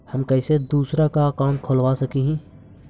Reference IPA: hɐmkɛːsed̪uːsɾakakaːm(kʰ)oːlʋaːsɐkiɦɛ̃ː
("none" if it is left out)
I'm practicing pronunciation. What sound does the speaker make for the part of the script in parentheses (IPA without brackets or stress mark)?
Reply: kʰ